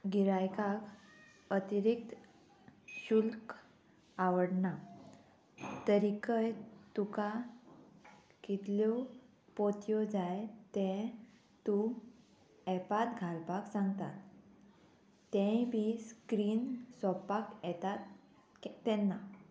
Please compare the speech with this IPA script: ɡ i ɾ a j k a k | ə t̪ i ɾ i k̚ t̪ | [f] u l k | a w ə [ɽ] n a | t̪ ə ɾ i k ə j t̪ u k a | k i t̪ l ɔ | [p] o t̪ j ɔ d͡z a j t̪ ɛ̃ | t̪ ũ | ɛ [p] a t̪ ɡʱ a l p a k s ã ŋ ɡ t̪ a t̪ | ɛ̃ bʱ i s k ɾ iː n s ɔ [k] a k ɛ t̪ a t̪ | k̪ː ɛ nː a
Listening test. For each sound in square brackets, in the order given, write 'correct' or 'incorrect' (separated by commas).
incorrect, correct, correct, correct, incorrect